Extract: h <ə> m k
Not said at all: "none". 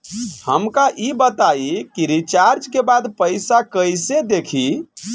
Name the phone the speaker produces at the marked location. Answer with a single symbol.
ə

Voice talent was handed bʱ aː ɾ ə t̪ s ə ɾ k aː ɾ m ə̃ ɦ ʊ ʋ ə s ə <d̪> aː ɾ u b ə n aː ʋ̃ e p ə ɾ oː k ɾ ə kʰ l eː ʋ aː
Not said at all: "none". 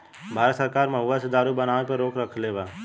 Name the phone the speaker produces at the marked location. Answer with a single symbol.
d̪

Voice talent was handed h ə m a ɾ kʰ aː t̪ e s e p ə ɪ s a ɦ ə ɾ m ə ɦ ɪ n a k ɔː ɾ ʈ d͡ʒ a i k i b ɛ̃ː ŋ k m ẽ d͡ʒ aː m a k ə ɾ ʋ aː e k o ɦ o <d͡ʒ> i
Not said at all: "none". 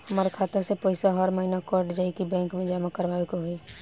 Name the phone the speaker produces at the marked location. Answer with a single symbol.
none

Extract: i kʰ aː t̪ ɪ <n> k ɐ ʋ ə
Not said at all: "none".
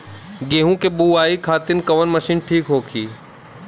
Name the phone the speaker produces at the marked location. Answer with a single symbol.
n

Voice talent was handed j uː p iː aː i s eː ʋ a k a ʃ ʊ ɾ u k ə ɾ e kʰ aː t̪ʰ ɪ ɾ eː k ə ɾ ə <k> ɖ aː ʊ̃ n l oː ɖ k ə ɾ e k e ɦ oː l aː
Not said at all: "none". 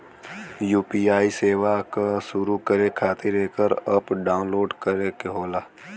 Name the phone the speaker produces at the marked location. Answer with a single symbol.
p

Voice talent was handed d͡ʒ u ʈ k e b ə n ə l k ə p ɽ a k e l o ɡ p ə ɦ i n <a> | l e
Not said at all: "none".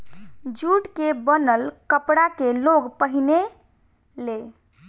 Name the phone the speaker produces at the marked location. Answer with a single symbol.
e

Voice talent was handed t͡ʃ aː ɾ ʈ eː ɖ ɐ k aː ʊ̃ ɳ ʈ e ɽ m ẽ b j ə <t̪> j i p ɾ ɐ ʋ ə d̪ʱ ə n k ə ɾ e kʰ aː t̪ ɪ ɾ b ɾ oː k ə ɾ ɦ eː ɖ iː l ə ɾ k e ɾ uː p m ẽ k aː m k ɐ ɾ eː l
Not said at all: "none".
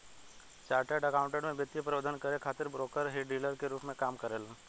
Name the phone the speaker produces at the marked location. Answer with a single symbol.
t̪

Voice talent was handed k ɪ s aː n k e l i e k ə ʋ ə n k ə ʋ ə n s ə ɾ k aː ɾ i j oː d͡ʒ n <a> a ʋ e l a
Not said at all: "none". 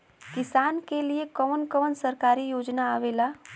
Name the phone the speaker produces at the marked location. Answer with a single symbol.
a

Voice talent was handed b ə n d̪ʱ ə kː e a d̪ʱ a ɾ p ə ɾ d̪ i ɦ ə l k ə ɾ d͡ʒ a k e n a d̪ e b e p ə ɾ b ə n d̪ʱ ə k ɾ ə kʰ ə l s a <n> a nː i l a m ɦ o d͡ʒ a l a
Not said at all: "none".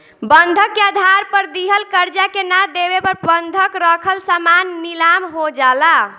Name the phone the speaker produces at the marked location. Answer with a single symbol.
m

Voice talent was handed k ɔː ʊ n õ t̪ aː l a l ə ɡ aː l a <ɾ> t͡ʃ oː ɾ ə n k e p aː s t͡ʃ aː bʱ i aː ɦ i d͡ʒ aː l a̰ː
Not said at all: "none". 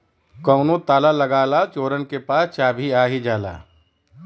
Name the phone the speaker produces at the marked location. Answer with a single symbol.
none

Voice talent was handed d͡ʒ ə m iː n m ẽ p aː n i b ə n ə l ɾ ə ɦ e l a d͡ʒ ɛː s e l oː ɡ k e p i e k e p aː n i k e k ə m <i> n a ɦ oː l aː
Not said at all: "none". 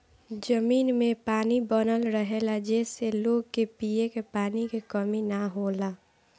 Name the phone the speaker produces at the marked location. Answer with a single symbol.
i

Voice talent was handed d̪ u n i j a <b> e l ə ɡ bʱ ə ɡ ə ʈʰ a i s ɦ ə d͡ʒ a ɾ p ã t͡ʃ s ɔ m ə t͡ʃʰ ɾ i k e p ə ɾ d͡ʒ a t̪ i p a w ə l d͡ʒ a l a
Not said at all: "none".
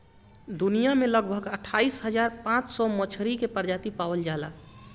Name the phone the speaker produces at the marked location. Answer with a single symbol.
m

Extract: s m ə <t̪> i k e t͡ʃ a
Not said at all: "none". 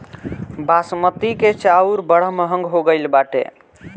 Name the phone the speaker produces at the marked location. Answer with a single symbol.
t̪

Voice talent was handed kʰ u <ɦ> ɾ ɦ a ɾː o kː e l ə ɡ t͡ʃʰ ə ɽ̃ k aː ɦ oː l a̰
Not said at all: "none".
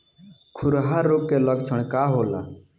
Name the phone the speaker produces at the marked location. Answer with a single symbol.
none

